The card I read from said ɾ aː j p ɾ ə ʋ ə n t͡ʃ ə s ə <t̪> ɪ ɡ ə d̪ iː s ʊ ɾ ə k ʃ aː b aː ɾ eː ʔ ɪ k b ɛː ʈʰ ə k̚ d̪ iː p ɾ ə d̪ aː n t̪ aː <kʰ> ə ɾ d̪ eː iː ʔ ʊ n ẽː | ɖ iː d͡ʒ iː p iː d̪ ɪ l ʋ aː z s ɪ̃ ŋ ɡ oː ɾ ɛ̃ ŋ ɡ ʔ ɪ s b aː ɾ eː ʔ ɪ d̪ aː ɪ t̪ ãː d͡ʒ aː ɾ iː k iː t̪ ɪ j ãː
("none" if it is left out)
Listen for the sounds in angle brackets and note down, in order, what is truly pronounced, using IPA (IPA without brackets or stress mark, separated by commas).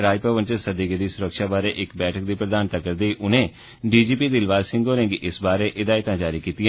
d̪, k